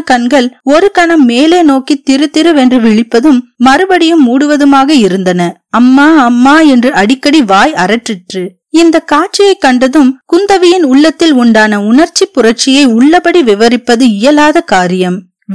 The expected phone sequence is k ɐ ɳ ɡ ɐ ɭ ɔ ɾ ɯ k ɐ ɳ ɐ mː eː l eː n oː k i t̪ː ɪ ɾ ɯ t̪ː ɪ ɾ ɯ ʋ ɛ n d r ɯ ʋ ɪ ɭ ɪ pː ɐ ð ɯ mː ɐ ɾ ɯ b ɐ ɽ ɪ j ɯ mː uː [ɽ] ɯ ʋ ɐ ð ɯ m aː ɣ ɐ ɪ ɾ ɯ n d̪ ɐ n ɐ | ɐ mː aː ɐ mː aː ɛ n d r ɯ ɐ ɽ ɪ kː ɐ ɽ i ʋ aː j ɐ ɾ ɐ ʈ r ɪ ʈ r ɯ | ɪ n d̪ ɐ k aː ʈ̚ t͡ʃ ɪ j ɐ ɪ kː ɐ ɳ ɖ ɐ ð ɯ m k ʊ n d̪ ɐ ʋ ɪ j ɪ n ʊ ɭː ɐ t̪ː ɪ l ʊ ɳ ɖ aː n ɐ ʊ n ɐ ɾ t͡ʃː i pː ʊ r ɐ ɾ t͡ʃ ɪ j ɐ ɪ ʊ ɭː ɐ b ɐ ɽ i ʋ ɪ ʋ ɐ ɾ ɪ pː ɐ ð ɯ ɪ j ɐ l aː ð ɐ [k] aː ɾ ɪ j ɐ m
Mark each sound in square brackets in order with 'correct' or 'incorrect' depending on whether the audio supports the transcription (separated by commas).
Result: correct, correct